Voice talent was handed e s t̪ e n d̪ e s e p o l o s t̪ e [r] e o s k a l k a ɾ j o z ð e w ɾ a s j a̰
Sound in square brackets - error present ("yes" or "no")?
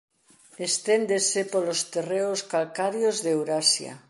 no